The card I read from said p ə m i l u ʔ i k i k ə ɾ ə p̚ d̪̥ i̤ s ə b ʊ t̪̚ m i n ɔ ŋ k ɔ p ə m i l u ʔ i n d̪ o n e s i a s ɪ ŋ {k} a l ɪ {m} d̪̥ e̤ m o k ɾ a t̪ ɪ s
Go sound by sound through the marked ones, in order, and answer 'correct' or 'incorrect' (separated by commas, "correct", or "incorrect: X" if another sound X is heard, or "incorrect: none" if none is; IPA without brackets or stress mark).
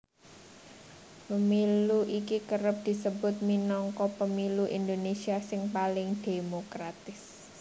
incorrect: p, incorrect: ŋ